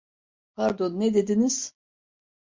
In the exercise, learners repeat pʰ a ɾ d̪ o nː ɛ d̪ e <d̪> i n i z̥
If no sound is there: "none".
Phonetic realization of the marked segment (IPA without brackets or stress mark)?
d̪